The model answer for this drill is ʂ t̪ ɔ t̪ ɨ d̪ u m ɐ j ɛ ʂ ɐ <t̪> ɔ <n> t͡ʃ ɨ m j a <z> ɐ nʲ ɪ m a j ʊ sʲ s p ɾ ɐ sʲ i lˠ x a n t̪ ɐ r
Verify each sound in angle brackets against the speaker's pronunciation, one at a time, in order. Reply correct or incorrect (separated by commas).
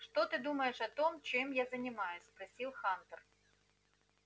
correct, incorrect, correct